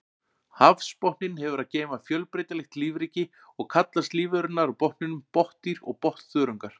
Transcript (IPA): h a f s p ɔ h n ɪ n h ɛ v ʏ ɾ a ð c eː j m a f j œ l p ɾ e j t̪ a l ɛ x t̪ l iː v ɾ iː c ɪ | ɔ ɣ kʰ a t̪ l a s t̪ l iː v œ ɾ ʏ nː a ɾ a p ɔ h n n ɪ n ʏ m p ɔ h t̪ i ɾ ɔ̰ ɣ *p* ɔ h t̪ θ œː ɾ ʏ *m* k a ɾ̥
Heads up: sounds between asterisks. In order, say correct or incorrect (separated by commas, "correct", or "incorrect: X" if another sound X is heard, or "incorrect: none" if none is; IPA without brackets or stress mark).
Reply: correct, incorrect: ŋ